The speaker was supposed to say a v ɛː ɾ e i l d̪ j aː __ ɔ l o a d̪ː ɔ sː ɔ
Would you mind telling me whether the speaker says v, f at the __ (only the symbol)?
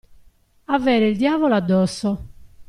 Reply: v